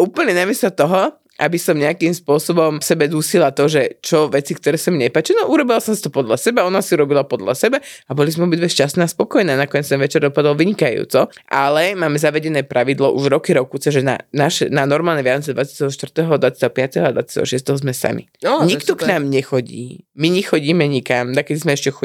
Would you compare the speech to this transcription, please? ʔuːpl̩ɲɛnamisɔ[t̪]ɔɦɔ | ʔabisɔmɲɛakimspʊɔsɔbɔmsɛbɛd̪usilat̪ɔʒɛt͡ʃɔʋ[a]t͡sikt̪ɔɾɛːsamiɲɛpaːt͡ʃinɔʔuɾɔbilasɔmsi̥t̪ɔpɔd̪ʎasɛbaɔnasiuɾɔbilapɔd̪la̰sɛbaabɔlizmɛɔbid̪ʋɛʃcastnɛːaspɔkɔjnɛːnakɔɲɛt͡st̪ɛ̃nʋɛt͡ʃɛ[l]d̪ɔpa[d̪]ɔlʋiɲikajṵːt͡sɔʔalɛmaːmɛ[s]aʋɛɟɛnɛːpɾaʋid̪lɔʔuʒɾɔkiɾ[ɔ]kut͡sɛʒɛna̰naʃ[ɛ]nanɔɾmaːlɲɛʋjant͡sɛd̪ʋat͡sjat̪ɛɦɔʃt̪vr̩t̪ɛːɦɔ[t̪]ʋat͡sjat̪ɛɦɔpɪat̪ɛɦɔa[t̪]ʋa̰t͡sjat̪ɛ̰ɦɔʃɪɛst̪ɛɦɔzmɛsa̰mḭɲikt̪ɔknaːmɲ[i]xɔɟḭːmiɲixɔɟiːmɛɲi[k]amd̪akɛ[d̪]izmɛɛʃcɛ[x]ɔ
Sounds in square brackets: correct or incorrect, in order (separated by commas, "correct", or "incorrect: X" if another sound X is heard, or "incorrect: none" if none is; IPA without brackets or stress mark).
correct, incorrect: ɛ, incorrect: ɾ, correct, incorrect: z, correct, correct, incorrect: d̪, incorrect: d̪, incorrect: ɛ, correct, correct, correct